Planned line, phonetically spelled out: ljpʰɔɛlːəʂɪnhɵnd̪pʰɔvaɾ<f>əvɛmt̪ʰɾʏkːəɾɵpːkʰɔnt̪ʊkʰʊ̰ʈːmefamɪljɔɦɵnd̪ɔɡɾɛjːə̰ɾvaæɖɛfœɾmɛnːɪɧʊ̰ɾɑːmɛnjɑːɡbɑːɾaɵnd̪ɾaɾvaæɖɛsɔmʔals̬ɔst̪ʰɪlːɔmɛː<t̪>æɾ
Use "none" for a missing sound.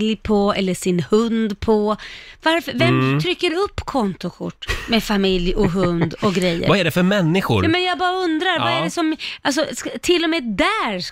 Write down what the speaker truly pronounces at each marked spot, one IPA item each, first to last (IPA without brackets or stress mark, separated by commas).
f, d̪